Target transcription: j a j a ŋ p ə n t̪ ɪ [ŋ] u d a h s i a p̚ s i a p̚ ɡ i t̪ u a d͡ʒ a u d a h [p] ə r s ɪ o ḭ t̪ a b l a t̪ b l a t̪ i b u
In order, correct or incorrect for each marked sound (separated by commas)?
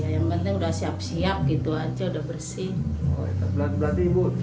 correct, incorrect